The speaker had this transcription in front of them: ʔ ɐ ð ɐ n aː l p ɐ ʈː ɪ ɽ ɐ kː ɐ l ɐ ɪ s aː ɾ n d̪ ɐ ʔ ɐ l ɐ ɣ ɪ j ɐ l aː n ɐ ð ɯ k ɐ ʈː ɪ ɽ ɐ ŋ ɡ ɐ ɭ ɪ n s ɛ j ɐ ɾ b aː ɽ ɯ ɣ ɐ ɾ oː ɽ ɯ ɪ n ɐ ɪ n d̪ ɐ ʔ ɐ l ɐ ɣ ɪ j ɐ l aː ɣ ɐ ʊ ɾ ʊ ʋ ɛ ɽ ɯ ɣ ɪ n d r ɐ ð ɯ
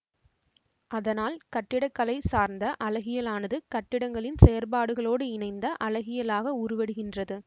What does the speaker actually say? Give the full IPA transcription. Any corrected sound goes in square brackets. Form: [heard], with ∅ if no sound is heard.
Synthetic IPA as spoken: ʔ ɐ ð ɐ n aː l [k] ɐ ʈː ɪ ɽ ɐ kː ɐ l ɐ ɪ s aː ɾ n d̪ ɐ ʔ ɐ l ɐ ɣ ɪ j ɐ l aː n ɐ ð ɯ k ɐ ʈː ɪ ɽ ɐ ŋ ɡ ɐ ɭ ɪ n s ɛ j ɐ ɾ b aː ɽ ɯ ɣ ɐ [ɭ] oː ɽ ɯ ɪ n ɐ ɪ n d̪ ɐ ʔ ɐ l ɐ ɣ ɪ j ɐ l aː ɣ ɐ ʊ ɾ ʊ ʋ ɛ ɽ ɯ ɣ ɪ n d r ɐ ð ɯ